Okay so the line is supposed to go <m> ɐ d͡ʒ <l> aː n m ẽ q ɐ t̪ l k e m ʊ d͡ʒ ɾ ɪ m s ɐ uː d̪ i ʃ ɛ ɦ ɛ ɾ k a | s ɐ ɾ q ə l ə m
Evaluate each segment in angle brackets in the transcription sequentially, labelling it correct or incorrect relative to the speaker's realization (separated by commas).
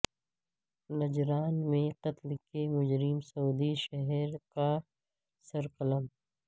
incorrect, incorrect